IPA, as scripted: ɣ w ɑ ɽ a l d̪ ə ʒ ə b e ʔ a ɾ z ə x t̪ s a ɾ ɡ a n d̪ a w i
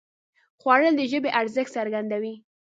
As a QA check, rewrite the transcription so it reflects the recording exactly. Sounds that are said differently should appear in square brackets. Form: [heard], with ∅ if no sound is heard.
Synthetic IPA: [x] w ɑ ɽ [ə] l d̪ ə ʒ ə b e ʔ a ɾ z ə x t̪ s a ɾ ɡ a n d̪ a w i